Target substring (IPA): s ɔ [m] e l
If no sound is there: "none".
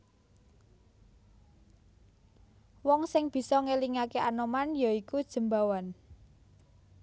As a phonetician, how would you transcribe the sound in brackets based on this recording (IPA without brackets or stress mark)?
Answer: ŋ